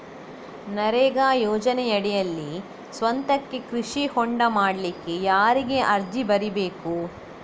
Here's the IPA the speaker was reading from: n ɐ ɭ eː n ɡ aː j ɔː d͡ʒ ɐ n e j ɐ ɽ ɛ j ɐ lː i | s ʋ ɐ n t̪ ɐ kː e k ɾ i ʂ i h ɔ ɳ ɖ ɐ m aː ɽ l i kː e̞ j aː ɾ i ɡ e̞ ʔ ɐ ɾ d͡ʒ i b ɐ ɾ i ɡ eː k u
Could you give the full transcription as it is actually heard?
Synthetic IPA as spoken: n ɐ ɾ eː ɡ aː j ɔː d͡ʒ ɐ n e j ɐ ɽ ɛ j ɐ lː i | s ʋ ɐ n t̪ ɐ kː e k ɾ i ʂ i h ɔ ɳ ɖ ɐ m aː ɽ l i kː e̞ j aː ɾ i ɡ e̞ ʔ ɐ ɾ d͡ʒ i b ɐ ɾ i b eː k u